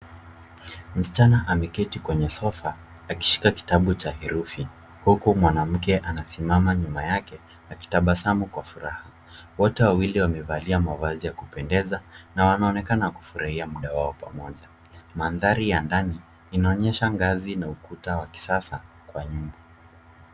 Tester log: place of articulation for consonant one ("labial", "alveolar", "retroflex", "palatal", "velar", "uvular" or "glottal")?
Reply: labial